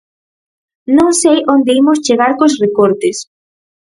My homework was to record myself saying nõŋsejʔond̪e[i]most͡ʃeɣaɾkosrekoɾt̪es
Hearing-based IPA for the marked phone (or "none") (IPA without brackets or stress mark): i